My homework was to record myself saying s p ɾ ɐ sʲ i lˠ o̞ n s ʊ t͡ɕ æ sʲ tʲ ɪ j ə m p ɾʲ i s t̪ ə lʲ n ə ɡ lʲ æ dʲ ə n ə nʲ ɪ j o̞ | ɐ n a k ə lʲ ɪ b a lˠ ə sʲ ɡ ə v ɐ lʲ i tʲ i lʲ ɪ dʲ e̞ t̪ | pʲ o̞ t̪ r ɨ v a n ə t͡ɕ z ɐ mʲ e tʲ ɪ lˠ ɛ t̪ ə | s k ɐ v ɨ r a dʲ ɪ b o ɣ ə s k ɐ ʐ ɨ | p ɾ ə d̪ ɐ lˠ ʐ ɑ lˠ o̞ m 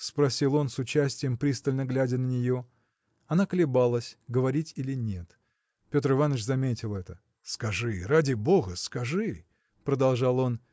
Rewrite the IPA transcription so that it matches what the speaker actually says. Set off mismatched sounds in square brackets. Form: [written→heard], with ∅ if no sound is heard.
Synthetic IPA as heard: s p ɾ ɐ sʲ i lˠ o̞ n s ʊ t͡ɕ æ sʲ tʲ ɪ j ə m p ɾʲ i s t̪ ə lʲ n ə ɡ lʲ æ dʲ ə n ə nʲ ɪ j o̞ | ɐ n a k ə lʲ ɪ b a lˠ ə sʲ ɡ ə v ɐ [lʲ→ɾʲ] i tʲ i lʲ ɪ [dʲ→nʲ] e̞ t̪ | pʲ o̞ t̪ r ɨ v a n ə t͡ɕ z ɐ mʲ e tʲ ɪ lˠ ɛ t̪ ə | s k ɐ [v→ʐ] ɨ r a dʲ ɪ b o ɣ ə s k ɐ ʐ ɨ | p ɾ ə d̪ ɐ lˠ ʐ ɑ lˠ o̞ [m→n]